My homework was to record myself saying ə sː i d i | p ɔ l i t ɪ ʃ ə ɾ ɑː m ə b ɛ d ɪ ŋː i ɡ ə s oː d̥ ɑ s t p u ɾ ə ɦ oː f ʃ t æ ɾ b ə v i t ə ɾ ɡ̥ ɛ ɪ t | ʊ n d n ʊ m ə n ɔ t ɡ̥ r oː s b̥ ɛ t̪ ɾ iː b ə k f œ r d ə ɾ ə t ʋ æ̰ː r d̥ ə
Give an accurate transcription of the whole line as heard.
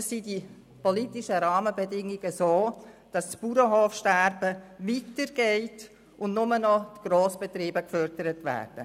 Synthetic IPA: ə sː i d i | p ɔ l i t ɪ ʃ ə ɾ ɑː m ə b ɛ d ɪ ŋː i ɡ ə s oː d̥ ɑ s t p u ɾ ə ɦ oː f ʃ t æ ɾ b ə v i t ə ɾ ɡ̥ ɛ ɪ t | ʊ n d n ʊ m ə n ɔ t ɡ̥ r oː s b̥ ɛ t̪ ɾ iː b ə k f œ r d ə ɾ ə t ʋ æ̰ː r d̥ ə